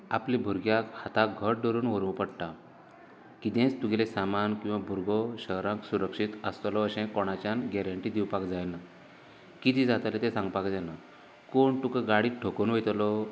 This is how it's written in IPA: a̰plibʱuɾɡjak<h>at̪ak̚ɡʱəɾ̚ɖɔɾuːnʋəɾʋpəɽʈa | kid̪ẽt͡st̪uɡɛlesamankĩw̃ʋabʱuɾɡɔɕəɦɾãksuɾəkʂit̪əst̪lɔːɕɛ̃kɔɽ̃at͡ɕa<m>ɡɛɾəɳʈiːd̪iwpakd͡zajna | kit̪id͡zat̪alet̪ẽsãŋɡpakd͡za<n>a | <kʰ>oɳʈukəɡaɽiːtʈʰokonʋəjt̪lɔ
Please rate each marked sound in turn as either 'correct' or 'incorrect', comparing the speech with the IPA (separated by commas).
correct, incorrect, correct, incorrect